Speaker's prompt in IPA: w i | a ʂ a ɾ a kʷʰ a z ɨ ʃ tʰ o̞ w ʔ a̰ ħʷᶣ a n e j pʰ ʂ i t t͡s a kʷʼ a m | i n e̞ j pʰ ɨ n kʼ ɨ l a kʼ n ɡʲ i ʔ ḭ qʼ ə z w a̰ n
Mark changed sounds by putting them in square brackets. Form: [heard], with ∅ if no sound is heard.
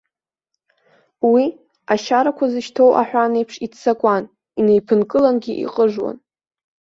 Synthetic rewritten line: w i | a [ʃ] a ɾ a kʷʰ a z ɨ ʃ tʰ o̞ w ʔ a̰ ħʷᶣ a n e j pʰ ʂ i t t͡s a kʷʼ a [n] | i n e̞ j pʰ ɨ n kʼ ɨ l a [∅] n ɡʲ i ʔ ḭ qʼ ə [ʐ] w a̰ n